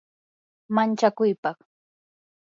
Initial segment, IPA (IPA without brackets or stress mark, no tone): m